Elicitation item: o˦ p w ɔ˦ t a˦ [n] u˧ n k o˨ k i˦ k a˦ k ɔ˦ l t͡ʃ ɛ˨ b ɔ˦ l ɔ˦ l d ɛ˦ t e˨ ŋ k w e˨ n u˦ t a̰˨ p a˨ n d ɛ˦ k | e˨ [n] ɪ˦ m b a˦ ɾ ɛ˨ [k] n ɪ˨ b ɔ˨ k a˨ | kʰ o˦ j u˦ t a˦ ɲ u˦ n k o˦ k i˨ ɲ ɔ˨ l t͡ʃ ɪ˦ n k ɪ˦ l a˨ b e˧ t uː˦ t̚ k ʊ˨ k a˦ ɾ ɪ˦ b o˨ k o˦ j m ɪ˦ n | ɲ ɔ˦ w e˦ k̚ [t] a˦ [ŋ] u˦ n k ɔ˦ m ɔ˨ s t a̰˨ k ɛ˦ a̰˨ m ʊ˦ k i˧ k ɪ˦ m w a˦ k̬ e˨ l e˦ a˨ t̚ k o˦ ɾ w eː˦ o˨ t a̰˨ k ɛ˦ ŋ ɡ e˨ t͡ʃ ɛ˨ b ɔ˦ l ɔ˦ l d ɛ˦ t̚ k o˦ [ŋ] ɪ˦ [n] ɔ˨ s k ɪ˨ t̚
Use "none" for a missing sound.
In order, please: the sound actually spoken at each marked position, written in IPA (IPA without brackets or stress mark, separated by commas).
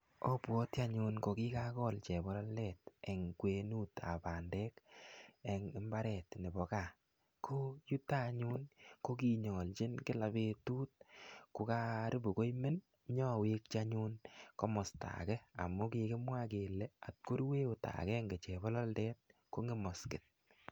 ɲ, ŋ, t, t͡ʃ, ɲ, ŋ, m